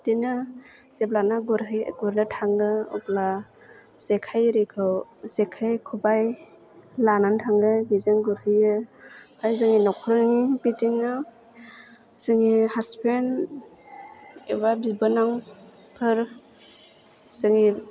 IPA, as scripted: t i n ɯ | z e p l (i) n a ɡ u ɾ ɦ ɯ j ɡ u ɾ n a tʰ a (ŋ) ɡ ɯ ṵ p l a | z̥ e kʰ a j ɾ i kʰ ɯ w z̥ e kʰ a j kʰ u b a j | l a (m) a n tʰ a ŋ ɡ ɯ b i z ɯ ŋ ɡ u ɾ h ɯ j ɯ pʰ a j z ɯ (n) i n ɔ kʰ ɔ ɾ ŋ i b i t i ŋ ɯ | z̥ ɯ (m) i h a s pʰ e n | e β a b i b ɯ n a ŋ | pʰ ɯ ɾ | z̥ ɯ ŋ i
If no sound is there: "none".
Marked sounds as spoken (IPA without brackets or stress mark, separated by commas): a, ŋ, n, ŋ, ŋ